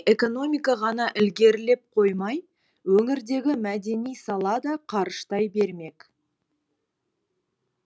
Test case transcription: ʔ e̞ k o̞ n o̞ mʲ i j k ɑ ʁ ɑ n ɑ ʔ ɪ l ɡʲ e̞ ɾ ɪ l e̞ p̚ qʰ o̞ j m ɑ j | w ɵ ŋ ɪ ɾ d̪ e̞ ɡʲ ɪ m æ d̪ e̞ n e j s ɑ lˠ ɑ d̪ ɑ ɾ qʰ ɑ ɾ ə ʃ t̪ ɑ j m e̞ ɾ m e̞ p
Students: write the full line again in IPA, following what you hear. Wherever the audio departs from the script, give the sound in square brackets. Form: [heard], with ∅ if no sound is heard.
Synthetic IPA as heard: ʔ e̞ k o̞ n o̞ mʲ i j k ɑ ʁ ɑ n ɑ ʔ ɪ l ɡʲ e̞ ɾ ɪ l e̞ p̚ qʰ o̞ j m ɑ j | w ɵ ŋ ɪ ɾ d̪ e̞ ɡʲ ɪ m æ d̪ e̞ n [i] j s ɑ lˠ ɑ d̪ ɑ [∅] qʰ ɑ ɾ ə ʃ t̪ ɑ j [b] e̞ ɾ m e̞ [k]